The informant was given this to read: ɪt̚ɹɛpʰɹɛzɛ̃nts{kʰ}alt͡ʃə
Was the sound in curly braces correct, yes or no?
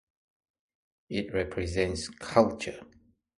yes